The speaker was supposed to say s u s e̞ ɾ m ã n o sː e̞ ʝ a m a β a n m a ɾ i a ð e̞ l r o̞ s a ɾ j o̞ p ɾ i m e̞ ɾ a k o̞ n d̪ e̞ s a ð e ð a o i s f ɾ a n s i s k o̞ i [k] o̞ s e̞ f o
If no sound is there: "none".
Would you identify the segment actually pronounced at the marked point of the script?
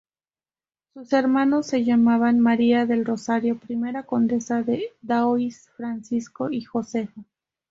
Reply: x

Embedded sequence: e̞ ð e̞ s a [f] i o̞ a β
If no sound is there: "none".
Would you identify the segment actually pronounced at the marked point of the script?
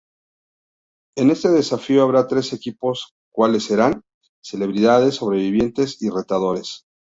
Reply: f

